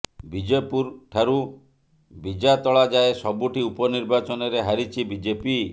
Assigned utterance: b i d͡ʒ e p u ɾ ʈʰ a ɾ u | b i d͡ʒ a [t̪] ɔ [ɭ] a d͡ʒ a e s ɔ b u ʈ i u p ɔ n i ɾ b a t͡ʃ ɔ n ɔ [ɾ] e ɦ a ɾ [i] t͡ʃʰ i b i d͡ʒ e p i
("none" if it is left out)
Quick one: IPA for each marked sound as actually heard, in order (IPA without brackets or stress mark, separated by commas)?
t̪, ɭ, ɾ, i